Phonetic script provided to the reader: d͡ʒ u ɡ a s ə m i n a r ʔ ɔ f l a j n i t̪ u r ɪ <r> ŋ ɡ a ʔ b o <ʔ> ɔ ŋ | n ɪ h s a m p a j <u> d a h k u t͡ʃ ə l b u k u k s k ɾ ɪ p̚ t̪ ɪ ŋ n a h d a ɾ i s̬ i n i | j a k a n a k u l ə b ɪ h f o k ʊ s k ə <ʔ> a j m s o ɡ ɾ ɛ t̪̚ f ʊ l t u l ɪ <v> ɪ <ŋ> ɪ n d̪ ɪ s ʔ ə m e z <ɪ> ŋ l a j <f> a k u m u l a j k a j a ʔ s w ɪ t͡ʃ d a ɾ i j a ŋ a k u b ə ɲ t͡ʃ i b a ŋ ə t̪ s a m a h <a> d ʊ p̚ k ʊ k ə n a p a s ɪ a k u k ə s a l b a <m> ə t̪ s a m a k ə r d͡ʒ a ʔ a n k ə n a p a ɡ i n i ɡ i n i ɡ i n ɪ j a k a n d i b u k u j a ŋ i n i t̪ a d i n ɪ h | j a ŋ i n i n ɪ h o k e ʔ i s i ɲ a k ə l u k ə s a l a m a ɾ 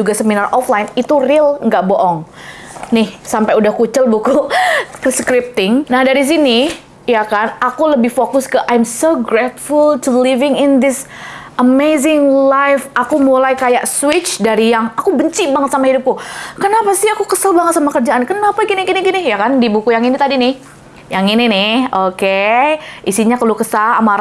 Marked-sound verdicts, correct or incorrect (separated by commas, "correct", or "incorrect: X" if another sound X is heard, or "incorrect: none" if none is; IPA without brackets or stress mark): incorrect: l, correct, correct, correct, correct, correct, correct, correct, incorrect: i, incorrect: ŋ